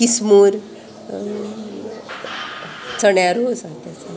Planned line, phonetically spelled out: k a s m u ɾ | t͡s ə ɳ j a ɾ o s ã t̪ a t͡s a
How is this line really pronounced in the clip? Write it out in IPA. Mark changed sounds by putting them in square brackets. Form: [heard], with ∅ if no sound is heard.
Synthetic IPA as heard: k [i] s m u ɾ | t͡s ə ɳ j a ɾ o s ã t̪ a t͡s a